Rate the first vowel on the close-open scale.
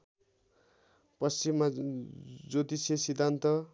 mid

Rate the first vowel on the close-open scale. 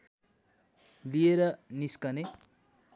close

